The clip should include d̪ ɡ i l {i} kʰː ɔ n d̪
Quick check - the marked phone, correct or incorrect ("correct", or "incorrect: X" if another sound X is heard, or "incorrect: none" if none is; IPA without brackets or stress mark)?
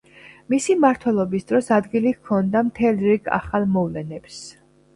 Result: correct